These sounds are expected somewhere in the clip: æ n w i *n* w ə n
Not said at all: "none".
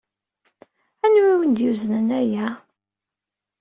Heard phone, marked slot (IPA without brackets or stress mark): none